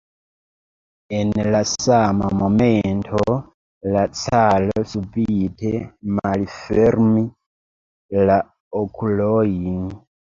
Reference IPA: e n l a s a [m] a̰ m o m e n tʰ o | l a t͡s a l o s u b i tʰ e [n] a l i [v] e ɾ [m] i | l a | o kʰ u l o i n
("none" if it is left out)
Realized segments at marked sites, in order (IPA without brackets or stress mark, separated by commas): m, m, f, m